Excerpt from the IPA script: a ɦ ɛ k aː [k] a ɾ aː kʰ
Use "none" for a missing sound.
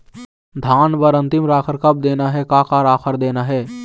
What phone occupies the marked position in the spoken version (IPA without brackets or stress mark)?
k